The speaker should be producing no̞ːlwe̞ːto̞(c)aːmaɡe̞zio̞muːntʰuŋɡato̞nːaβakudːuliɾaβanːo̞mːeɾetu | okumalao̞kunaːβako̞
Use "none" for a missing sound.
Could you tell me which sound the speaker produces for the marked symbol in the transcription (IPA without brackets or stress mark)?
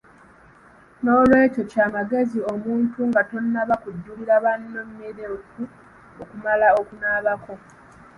c